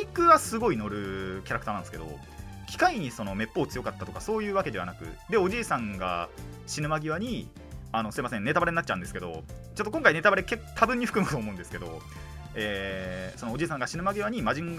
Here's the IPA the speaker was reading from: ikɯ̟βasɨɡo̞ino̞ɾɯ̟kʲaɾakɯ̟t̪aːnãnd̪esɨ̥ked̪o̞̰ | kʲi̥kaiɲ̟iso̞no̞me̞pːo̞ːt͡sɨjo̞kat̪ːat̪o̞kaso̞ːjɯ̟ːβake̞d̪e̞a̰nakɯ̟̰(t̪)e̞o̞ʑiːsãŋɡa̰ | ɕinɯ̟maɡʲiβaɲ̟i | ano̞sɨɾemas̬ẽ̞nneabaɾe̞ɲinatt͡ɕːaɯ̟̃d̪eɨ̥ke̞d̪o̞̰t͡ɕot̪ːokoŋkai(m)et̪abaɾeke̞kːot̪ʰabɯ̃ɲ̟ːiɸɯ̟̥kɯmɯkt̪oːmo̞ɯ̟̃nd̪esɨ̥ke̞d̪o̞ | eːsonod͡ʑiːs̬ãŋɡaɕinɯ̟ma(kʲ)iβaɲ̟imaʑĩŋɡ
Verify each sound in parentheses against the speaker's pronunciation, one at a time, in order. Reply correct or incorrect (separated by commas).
incorrect, incorrect, incorrect